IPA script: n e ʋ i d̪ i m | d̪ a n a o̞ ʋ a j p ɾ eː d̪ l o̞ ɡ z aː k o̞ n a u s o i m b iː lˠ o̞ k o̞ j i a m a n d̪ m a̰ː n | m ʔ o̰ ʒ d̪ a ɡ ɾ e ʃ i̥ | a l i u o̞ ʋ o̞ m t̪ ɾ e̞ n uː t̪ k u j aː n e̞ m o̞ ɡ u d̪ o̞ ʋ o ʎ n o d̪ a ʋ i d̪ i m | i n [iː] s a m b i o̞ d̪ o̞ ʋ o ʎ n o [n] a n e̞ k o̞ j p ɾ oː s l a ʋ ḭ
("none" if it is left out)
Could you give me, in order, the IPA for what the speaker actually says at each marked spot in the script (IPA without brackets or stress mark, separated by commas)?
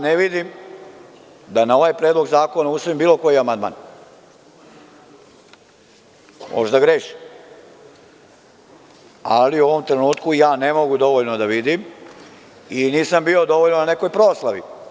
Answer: iː, n